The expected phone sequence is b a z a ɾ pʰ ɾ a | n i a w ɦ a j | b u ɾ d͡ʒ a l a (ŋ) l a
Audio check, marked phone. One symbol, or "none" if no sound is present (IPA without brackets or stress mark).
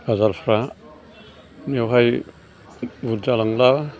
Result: ŋ